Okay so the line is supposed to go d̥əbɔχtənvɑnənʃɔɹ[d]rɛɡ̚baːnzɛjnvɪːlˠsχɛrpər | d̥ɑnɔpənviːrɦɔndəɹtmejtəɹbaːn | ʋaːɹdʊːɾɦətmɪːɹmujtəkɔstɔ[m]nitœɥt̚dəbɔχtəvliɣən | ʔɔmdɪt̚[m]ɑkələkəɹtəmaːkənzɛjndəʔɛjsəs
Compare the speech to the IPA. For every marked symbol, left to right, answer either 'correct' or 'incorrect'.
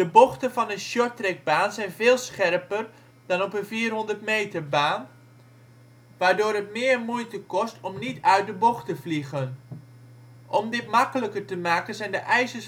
incorrect, correct, correct

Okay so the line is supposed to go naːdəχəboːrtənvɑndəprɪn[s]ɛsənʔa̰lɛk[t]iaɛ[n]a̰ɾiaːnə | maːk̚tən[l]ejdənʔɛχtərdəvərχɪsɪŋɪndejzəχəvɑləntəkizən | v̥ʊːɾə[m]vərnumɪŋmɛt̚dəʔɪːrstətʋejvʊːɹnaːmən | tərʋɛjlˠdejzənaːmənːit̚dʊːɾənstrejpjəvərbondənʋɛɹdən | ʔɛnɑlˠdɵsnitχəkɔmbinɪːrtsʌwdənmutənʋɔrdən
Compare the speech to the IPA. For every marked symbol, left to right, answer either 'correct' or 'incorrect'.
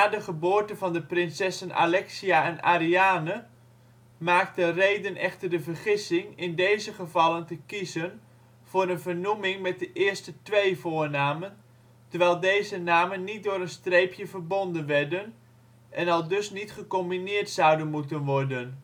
correct, incorrect, correct, incorrect, incorrect

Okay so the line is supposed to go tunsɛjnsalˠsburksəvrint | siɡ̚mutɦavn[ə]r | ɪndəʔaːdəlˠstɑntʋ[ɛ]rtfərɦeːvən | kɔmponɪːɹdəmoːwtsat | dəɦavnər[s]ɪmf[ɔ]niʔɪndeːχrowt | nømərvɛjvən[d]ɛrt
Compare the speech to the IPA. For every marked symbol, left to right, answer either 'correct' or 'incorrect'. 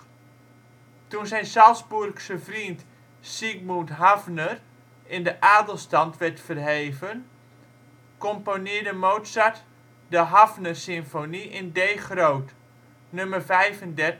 correct, correct, correct, incorrect, correct

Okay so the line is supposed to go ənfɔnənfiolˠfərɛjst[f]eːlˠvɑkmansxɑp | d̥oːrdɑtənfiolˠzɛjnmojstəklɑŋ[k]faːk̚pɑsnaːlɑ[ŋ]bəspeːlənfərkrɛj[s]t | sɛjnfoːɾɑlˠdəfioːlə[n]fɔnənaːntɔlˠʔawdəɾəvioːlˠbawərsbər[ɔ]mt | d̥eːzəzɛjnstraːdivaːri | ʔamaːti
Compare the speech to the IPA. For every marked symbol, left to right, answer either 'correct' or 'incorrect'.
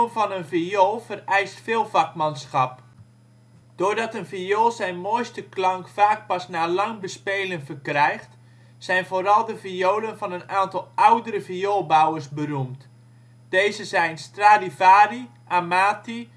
correct, correct, correct, incorrect, correct, incorrect

